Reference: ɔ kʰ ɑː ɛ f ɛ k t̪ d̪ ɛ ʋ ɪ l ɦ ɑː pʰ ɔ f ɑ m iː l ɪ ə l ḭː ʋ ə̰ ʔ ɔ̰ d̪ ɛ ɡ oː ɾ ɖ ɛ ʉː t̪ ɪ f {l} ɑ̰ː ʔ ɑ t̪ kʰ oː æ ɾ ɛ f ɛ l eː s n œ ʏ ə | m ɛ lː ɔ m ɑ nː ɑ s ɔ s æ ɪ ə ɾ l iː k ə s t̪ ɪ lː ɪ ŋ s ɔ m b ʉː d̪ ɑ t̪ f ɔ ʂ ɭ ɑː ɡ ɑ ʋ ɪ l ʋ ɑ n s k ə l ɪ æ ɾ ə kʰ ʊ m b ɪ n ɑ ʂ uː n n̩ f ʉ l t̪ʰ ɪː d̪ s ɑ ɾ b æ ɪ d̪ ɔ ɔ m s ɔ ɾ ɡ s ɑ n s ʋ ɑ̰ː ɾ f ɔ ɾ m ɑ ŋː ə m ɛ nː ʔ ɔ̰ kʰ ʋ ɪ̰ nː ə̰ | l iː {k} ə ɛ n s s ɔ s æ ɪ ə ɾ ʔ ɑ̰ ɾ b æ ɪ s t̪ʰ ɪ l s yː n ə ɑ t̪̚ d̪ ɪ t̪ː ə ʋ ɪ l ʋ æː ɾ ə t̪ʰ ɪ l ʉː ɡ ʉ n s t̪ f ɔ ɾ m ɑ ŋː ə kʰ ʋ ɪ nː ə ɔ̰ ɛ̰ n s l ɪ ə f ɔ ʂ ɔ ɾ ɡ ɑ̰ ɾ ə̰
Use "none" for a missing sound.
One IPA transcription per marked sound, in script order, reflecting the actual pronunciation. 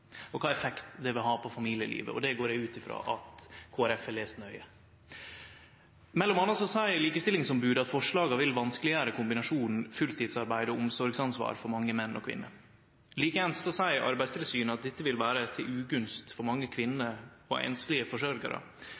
ɾ, k

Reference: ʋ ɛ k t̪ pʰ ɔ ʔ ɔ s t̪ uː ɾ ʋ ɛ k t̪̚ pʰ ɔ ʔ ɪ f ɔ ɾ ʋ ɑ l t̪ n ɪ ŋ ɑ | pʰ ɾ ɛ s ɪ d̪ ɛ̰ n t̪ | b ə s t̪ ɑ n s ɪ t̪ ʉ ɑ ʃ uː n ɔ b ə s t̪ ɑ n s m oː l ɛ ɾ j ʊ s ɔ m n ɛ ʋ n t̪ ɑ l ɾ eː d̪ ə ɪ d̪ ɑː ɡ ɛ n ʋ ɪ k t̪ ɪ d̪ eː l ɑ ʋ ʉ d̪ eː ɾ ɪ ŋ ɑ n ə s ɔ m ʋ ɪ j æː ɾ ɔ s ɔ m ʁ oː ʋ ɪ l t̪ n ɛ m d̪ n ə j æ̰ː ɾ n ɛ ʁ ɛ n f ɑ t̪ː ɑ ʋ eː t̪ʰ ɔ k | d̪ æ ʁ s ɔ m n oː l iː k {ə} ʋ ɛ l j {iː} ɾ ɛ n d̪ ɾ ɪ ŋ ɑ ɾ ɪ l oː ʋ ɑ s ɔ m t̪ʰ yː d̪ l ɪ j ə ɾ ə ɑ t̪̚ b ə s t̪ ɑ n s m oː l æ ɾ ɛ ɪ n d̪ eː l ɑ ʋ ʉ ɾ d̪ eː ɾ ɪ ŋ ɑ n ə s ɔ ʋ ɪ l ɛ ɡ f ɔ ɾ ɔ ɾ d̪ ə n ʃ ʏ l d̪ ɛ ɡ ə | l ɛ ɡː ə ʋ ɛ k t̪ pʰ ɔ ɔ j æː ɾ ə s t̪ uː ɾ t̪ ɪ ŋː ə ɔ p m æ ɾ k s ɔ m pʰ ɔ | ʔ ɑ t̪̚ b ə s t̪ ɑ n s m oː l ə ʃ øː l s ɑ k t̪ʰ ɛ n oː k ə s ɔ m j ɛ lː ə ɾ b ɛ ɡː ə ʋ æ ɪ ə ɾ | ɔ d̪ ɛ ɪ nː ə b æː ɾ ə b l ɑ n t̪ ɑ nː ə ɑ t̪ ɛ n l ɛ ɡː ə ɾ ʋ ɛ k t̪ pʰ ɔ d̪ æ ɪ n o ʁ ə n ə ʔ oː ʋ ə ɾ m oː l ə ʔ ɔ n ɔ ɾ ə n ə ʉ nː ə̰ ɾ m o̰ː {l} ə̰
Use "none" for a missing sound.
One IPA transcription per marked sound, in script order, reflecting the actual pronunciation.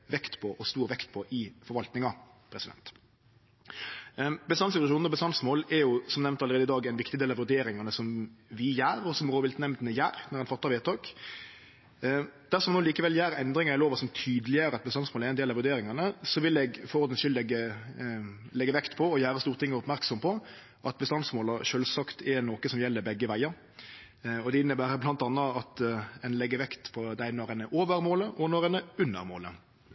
ə, æː, l

